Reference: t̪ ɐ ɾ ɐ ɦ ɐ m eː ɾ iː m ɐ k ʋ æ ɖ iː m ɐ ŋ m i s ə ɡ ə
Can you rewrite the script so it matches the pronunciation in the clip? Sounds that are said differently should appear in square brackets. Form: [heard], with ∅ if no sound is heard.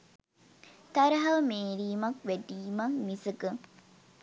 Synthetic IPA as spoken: t̪ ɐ ɾ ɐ ɦ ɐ m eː ɾ iː m ɐ k ʋ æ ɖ iː m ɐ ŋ m i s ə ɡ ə